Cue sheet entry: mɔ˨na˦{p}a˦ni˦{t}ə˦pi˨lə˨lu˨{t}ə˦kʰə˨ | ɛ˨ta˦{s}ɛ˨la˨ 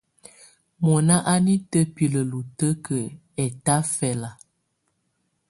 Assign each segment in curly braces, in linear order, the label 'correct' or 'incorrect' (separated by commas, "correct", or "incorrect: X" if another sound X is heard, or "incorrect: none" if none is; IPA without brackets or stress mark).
incorrect: ʔ, correct, correct, incorrect: f